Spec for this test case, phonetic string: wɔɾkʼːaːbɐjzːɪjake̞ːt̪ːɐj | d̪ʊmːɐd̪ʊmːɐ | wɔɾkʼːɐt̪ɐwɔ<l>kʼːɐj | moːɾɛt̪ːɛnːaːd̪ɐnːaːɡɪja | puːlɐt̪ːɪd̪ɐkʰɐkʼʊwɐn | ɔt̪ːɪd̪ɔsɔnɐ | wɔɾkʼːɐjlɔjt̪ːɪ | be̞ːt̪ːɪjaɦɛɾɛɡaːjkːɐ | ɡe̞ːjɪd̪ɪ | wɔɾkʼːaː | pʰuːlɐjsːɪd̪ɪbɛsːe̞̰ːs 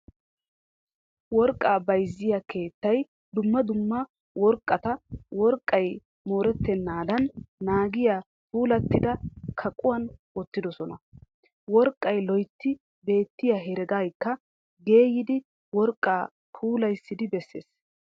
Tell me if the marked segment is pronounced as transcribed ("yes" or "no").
no